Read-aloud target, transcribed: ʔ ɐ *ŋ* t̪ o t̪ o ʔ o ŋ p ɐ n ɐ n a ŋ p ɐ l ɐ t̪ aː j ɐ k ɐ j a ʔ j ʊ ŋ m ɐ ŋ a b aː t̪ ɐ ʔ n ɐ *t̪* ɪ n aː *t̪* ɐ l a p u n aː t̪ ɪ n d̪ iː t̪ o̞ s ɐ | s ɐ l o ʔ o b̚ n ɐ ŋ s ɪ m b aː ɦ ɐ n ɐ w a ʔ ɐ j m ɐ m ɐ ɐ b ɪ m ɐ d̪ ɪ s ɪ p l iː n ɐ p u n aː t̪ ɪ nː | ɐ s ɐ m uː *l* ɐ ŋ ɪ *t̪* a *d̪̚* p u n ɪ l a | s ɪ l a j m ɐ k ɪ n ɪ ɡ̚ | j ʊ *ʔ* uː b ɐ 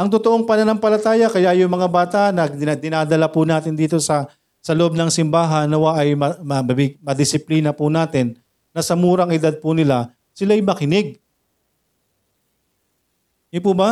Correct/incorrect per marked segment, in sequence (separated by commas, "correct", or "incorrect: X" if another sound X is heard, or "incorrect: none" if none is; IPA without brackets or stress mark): correct, incorrect: d̪, incorrect: d̪, incorrect: ɾ, incorrect: d̪, correct, incorrect: p